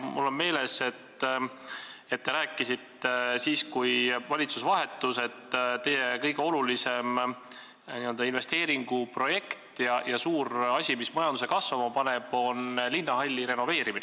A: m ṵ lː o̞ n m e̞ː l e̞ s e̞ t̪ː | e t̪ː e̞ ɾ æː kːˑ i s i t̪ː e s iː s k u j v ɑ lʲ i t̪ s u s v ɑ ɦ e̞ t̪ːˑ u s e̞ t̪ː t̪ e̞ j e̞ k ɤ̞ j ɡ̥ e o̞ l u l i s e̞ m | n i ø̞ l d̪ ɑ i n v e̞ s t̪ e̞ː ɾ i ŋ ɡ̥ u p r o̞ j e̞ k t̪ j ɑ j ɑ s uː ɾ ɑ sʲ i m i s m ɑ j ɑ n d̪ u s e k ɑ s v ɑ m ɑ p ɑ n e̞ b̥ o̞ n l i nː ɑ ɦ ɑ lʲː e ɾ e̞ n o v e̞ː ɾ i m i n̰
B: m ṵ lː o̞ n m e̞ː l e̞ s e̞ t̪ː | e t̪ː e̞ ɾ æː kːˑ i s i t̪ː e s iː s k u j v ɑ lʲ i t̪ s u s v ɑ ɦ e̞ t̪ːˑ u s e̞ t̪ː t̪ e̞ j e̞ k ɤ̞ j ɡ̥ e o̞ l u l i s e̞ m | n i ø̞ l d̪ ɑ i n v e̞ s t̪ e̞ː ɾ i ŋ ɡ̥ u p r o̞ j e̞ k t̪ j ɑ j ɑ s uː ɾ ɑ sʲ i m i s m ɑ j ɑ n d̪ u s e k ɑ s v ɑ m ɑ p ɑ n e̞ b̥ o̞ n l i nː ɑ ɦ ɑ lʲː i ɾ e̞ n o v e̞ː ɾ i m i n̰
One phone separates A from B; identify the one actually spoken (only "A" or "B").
B